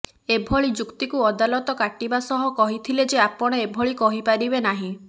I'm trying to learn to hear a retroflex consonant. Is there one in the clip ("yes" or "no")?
yes